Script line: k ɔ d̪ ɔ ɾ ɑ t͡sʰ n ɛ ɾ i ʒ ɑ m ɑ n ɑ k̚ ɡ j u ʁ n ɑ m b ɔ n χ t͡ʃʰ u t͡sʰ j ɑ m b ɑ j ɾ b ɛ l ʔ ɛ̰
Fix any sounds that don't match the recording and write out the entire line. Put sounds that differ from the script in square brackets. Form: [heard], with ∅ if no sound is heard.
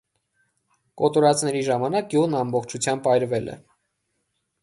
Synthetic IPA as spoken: k ɔ [t̪] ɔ ɾ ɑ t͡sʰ n ɛ ɾ i ʒ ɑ m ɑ n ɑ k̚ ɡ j u ʁ n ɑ m b ɔ [∅] χ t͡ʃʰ u t͡sʰ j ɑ m b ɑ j ɾ [v] ɛ l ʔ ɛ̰